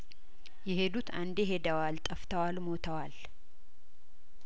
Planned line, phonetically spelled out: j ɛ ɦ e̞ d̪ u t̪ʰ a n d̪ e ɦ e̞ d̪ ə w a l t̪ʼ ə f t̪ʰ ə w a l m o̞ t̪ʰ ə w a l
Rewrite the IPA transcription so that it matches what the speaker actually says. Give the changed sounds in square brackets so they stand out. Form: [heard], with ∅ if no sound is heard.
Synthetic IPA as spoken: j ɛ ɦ e̞ d̪ u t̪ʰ a n d̪ e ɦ e̞ d̪ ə w a l t̪ʼ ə f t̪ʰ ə w a l m o̞ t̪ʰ ə w a l